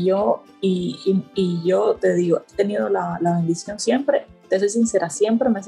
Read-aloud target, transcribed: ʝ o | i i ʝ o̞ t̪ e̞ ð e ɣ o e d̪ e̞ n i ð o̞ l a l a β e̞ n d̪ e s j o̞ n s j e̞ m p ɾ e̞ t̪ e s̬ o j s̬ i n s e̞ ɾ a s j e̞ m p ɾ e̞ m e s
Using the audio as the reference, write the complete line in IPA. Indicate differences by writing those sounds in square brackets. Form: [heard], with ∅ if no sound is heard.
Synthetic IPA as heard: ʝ o | i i ʝ o̞ t̪ e̞ ð [i] ɣ o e [t̪] e̞ n i ð o̞ l a l a β e̞ n d̪ [i] s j o̞ n s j e̞ m p ɾ e̞ t̪ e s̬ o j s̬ i n s e̞ ɾ a s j e̞ m p ɾ e̞ m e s